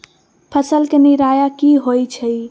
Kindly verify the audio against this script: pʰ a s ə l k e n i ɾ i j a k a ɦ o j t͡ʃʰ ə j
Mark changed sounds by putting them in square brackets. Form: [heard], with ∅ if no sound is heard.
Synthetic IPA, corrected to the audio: pʰ [ə] s ə l k e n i ɾ [a] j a k [i] ɦ o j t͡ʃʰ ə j